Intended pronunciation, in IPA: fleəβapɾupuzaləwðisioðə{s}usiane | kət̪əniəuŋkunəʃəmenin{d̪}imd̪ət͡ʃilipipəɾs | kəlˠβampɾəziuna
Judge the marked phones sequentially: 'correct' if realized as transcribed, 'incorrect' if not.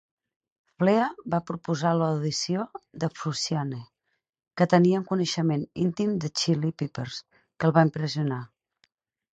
incorrect, incorrect

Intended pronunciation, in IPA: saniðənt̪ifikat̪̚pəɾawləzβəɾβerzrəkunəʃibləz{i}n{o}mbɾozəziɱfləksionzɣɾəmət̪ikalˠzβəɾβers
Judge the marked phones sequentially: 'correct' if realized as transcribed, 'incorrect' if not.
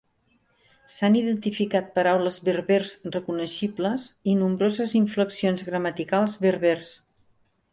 correct, incorrect

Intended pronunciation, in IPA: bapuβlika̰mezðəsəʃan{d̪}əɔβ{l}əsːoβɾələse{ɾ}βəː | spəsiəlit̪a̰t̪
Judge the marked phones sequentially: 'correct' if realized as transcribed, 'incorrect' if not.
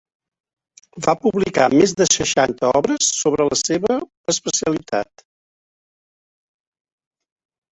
incorrect, incorrect, incorrect

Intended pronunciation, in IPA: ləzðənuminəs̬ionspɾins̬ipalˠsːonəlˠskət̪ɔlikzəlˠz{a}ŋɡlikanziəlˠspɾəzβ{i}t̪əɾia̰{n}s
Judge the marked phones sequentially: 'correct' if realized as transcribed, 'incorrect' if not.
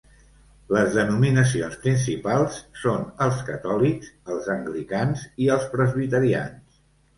incorrect, correct, correct

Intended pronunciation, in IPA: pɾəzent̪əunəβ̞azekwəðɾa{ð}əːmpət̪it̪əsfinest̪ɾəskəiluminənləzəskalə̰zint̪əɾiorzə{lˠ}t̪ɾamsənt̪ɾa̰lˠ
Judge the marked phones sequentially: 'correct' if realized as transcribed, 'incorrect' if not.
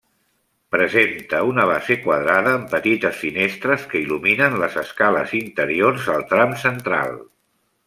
correct, correct

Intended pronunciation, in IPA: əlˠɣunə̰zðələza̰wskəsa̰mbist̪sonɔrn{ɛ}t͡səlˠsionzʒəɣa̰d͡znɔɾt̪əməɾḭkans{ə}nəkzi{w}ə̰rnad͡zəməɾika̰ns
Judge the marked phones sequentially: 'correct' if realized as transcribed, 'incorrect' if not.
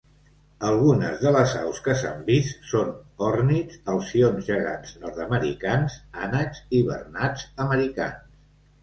incorrect, incorrect, incorrect

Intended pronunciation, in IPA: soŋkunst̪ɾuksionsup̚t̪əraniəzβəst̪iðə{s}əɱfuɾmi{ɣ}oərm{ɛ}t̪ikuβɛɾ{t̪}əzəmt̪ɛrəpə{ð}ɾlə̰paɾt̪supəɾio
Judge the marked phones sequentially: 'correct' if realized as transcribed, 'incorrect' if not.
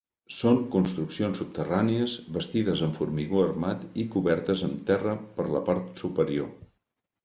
incorrect, correct, incorrect, correct, incorrect

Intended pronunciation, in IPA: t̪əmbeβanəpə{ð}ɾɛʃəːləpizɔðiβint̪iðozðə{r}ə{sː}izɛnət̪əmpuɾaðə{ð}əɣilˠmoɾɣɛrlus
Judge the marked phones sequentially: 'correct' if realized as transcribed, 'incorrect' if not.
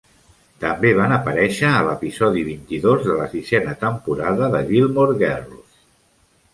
incorrect, incorrect, incorrect, correct

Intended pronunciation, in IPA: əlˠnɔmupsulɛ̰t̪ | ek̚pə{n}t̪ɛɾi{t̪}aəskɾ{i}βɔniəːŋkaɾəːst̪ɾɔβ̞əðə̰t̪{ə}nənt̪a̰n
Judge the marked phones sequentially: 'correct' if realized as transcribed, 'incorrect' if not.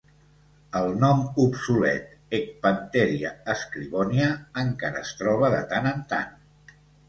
correct, incorrect, correct, incorrect

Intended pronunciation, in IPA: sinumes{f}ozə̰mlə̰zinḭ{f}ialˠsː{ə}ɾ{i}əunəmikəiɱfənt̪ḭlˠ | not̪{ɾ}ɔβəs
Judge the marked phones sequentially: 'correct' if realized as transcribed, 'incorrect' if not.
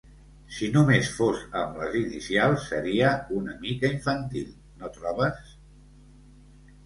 correct, incorrect, correct, correct, correct

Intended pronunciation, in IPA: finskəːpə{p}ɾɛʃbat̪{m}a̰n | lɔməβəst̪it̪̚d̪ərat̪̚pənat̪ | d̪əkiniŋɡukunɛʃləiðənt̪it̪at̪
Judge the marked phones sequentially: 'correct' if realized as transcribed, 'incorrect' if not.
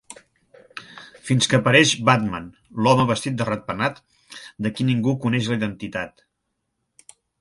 incorrect, correct

